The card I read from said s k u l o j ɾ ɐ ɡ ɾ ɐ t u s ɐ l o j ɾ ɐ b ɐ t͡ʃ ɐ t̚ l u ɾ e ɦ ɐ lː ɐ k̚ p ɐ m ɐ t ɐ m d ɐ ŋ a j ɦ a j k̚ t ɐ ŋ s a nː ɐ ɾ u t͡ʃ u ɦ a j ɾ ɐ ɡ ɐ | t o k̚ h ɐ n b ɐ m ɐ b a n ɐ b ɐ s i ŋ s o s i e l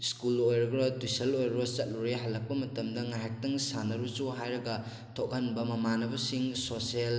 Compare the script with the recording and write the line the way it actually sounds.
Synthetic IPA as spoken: s k u l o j ɾ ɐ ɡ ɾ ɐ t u s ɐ l o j ɾ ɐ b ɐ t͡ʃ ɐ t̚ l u ɾ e ɦ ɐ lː ɐ k̚ p ɐ m ɐ t ɐ m d ɐ ŋ a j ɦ a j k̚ t ɐ ŋ s a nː ɐ ɾ u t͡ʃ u ɦ a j ɾ ɐ ɡ ɐ | tʰ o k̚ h ɐ n b ɐ m ɐ m a n ɐ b ɐ s i ŋ s o s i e l